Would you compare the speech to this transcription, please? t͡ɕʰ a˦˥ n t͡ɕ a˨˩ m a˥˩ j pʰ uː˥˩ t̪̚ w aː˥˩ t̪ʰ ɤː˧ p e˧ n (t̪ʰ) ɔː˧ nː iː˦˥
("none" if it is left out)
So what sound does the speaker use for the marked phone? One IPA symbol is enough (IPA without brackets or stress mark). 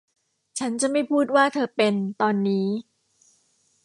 t̪